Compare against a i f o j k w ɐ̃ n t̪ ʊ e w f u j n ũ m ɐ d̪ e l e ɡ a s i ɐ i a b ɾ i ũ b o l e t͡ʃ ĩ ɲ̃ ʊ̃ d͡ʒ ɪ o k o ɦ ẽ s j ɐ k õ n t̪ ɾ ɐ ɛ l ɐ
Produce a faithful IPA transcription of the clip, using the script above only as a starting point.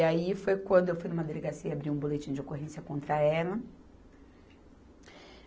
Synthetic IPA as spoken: a i f o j k w ɐ̃ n d̪ ʊ e w f u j n ũ m ɐ d̪ e l e ɡ a s i ɐ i a b ɾ i ũ b o l e t͡ʃ ĩ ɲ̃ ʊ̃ d͡ʒ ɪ o k o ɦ ẽ s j ɐ k õ n t̪ ɾ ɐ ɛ l ɐ